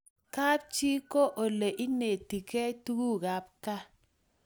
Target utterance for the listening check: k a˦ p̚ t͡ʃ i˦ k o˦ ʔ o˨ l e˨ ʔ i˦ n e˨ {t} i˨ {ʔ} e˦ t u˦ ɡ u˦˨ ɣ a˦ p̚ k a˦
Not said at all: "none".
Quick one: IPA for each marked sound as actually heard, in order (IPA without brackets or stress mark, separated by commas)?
t, k